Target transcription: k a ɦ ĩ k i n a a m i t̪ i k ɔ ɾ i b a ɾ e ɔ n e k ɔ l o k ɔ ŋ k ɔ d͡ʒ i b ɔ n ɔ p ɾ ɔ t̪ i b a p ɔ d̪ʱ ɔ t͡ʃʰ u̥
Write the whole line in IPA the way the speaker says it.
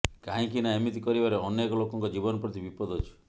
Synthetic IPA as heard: k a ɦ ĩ k i n a e m i t̪ i k ɔ ɾ i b a ɾ e ɔ n e k ɔ l o k ɔ ŋ k ɔ d͡ʒ i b ɔ n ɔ p ɾ ɔ t̪ i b i p ɔ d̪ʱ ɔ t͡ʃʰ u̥